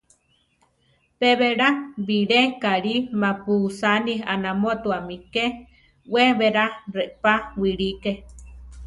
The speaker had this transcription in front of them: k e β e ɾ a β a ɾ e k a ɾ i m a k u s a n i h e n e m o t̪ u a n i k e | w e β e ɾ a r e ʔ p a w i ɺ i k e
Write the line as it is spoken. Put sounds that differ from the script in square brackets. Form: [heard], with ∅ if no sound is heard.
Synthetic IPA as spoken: [p] e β e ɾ a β [i] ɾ e k a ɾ i m a [p] u s a n i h [a] n [a] m o t̪ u a [m] i k e | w e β e ɾ a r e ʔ p a w i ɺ i k e